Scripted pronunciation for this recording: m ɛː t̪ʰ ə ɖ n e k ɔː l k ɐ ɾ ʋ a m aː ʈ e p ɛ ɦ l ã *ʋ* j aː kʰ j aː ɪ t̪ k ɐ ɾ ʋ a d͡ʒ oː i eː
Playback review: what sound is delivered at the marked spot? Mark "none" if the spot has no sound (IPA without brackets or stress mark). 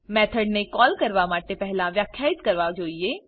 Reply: ʋ